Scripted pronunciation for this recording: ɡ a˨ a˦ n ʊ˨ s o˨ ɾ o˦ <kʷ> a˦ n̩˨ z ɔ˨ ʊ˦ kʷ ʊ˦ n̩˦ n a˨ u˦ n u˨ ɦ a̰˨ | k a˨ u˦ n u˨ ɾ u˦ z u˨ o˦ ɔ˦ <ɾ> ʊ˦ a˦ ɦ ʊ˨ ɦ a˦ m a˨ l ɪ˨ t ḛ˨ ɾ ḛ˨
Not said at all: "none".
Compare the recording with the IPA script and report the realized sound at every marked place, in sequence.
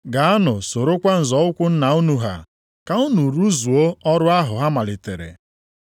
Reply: kʷ, ɾ

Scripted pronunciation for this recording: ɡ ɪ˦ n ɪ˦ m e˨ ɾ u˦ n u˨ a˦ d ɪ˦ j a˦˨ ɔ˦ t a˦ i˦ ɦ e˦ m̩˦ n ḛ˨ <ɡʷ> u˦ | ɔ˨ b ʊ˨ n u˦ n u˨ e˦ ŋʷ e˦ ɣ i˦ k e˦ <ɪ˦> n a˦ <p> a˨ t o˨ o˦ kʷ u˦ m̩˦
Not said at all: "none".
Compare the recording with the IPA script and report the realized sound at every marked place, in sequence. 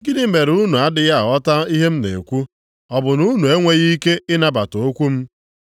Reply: kʷ, ɪ˦, b

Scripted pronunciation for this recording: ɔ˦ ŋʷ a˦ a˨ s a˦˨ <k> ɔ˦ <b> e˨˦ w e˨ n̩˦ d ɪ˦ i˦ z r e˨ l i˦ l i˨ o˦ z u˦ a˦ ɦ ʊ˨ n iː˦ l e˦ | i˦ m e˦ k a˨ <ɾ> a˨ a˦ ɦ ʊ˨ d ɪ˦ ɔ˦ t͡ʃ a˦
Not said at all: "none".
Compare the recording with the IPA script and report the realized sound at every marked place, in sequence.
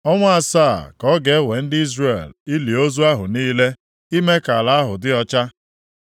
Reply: k, ɡ, l

